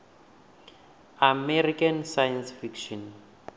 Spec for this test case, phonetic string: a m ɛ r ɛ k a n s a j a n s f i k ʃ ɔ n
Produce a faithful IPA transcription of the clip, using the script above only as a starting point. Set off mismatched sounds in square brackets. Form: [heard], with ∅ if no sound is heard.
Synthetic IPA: a m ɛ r [i] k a n s a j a n s f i k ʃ ɔ n